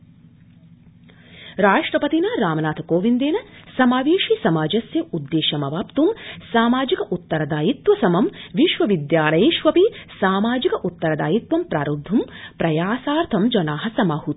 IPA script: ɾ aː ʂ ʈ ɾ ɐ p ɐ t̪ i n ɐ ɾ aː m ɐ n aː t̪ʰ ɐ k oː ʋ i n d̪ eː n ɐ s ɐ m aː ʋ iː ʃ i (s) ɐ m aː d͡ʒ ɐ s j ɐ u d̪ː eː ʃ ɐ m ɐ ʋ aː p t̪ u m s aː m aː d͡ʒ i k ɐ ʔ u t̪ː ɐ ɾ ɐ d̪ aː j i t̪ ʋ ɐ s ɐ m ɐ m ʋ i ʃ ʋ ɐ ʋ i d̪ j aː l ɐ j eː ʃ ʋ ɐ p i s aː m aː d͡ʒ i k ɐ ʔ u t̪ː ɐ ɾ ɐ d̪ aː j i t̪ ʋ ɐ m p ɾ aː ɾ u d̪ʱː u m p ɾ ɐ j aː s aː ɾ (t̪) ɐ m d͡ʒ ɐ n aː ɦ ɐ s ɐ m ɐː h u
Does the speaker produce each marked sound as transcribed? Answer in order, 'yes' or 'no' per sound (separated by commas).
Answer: yes, no